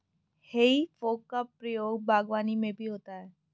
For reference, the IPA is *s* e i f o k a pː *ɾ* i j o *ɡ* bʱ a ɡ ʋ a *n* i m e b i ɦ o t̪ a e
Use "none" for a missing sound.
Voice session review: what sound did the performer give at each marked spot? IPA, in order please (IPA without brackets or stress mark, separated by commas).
h, ɾ, ɡ, n